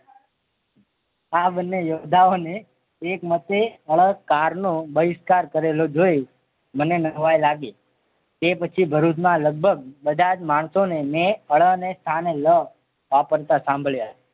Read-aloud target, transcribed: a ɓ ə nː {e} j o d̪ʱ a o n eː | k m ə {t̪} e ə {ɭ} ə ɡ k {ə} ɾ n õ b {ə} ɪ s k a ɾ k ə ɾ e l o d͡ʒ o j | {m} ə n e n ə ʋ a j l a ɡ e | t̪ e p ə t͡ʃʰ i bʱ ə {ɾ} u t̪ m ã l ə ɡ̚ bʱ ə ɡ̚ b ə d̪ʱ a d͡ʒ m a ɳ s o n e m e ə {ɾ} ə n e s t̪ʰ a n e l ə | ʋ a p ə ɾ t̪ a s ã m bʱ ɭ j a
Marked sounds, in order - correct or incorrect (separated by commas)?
correct, correct, correct, incorrect, correct, correct, correct, incorrect